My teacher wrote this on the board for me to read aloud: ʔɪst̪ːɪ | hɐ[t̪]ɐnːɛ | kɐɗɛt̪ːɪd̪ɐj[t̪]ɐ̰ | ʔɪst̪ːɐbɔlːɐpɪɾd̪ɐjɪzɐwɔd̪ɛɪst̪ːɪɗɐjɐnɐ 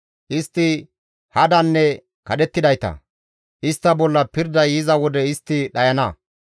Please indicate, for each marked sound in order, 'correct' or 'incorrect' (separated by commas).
incorrect, correct